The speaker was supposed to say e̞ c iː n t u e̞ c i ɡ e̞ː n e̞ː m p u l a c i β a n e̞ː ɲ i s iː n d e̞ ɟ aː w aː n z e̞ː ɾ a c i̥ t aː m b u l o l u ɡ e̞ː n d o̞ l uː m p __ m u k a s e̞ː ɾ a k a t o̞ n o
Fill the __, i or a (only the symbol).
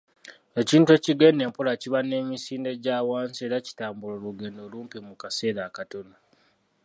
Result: i